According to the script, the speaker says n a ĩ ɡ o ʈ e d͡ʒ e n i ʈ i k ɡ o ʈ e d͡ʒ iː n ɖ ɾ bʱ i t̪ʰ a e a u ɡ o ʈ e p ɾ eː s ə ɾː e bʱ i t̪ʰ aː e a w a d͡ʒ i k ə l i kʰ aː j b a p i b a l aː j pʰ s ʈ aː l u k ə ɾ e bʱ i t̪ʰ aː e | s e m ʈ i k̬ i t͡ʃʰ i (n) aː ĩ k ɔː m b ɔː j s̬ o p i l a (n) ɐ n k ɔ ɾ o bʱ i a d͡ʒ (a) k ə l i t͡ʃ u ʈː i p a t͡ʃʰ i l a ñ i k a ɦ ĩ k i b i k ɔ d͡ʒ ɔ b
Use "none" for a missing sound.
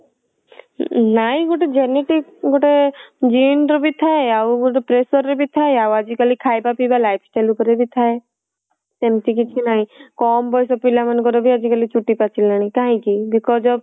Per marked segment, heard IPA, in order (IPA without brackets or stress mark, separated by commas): n, m, i